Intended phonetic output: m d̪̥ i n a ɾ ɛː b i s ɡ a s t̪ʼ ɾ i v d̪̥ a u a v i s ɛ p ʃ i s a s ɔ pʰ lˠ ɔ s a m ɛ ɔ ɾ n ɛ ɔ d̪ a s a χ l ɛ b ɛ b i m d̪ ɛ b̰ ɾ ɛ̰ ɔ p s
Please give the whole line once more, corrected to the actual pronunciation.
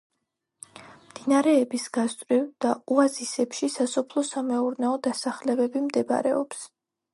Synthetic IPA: m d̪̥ i n a ɾ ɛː b i s ɡ a s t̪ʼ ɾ i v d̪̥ a u a z i s ɛ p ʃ i s a s ɔ pʰ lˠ ɔ s a m ɛ u ɾ n ɛ ɔ d̪ a s a χ l ɛ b ɛ b i m d̪ ɛ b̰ ɾ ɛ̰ ɔ p s